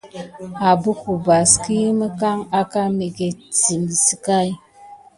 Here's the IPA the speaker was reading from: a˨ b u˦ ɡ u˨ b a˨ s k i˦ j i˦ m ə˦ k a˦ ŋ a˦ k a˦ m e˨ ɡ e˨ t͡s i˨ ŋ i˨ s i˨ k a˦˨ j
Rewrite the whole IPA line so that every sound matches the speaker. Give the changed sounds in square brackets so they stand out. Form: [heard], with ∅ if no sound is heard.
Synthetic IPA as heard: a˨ b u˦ [k] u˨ b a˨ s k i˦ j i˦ m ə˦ k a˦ ŋ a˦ k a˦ m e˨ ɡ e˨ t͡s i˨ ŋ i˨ s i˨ k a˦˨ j